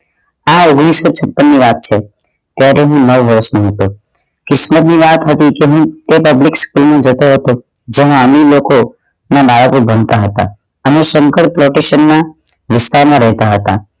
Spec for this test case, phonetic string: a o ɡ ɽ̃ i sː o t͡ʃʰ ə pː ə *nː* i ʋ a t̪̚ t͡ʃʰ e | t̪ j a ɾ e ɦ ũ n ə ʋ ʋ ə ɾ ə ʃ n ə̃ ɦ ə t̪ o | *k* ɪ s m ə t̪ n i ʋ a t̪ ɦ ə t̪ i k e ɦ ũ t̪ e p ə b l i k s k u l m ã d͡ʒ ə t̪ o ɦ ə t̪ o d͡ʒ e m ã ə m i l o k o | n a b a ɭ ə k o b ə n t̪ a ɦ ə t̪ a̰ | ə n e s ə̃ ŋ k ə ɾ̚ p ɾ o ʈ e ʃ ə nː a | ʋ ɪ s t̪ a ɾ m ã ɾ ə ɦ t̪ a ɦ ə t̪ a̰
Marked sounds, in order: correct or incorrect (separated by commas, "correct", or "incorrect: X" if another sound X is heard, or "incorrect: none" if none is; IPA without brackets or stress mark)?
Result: correct, correct